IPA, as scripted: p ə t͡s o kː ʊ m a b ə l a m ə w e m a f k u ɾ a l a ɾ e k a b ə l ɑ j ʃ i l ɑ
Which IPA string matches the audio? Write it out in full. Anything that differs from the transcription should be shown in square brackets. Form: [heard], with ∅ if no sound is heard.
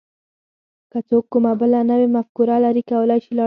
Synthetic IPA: [k] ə t͡s o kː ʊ m a b ə l a [n] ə w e m a f k u ɾ a l a ɾ [i] k a [w] ə l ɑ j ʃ i l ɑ